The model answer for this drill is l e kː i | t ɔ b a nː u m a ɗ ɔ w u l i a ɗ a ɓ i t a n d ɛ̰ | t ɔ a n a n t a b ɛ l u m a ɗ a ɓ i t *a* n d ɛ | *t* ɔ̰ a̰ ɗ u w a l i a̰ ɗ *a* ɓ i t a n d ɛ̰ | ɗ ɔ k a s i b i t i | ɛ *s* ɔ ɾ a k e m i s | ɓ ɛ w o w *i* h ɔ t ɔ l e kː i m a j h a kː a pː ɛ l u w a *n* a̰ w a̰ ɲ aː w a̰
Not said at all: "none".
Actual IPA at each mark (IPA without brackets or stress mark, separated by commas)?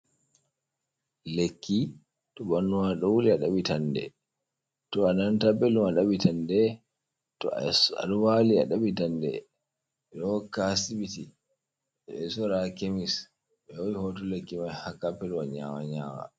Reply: a, t, a, s, i, ɲ